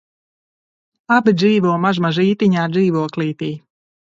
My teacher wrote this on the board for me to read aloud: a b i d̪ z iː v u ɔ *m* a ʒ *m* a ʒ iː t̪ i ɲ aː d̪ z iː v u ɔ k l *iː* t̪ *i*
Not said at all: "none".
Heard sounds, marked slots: m, m, iː, iː

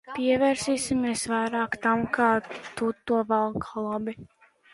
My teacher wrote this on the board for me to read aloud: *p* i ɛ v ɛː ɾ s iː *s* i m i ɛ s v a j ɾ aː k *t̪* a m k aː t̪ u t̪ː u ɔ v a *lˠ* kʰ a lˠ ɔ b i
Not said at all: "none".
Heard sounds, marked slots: p, s, t̪, lˠ

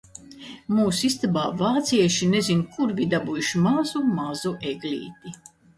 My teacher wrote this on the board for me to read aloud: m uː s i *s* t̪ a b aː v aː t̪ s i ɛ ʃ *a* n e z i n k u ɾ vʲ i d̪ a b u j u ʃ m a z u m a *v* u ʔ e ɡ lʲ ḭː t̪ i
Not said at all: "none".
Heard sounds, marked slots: s, i, z

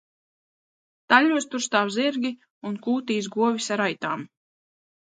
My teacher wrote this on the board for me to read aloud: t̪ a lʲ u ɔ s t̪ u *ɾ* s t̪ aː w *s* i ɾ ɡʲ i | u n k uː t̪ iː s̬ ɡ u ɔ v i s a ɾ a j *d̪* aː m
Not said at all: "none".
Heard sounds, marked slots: ɾ, z, t̪

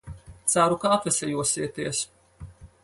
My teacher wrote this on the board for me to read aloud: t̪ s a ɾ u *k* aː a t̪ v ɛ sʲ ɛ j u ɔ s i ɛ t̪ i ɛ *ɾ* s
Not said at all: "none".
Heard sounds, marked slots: k, none

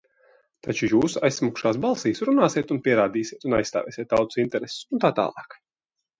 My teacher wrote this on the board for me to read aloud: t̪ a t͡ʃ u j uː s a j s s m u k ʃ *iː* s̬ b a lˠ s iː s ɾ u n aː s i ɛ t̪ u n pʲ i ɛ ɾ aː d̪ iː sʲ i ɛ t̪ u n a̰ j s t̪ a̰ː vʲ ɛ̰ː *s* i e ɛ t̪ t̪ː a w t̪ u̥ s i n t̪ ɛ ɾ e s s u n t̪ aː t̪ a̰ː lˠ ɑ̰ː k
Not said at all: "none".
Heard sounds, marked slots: aː, s

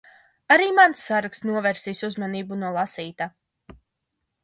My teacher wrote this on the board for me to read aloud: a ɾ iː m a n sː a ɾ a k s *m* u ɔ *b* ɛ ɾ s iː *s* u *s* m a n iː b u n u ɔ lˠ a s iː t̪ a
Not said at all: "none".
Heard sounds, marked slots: n, v, s, z

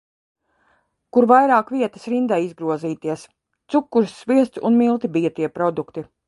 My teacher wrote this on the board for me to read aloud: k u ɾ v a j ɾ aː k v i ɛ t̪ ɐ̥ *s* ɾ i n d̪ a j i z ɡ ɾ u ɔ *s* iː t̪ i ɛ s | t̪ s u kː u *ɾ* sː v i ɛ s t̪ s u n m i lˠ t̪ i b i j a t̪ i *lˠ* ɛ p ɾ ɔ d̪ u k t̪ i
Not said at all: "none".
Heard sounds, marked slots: s, z, ɾ, none

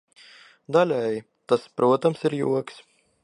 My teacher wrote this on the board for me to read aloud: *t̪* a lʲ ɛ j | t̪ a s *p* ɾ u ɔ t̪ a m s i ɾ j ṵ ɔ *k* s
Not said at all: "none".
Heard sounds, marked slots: d̪, p, k

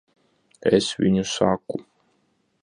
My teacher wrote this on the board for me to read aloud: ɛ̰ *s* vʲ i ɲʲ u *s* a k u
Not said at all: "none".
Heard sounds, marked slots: s, s

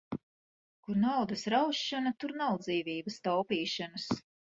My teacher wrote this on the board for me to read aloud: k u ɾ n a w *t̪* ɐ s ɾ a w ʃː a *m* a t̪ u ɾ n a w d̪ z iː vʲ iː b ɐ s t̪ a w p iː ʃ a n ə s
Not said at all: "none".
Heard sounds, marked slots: d̪, n

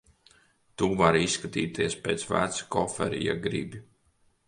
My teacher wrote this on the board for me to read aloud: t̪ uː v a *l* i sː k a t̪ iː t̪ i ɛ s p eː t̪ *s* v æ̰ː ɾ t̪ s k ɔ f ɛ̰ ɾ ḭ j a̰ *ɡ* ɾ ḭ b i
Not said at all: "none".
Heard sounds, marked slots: ɾ, s, ɡ

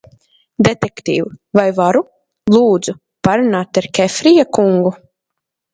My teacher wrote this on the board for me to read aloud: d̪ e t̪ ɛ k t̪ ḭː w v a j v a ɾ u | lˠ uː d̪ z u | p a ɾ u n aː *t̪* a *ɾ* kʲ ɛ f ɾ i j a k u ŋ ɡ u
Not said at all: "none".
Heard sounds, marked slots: t̪, ɾ

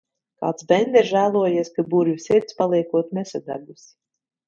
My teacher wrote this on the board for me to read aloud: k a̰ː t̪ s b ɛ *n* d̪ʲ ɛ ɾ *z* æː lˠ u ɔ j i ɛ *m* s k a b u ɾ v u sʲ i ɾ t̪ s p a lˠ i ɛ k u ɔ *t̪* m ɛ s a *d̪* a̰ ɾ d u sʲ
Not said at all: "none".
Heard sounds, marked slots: n, ʒ, none, t̪, d̪

